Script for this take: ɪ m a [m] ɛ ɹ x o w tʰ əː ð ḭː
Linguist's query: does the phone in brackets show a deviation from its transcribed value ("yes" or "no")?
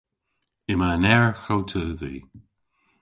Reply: yes